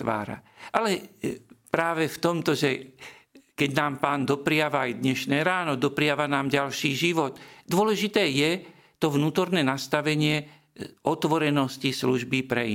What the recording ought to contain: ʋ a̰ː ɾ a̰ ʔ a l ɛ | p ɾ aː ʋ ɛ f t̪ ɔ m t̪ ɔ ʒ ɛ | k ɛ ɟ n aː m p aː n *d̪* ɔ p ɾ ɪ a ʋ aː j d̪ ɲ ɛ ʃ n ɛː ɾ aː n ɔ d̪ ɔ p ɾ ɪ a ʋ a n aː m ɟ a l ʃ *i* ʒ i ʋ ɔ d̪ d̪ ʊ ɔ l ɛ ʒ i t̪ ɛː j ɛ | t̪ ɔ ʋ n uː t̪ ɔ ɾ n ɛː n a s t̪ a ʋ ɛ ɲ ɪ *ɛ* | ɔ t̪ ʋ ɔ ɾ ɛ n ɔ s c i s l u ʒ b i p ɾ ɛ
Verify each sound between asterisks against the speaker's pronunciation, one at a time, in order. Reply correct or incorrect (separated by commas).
correct, incorrect, correct